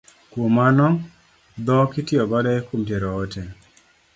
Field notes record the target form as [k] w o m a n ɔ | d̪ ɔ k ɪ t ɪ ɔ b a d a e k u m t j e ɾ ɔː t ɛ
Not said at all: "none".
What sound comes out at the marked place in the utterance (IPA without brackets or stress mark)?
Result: k